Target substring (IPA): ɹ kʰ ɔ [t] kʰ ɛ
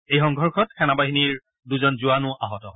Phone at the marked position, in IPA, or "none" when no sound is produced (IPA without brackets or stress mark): t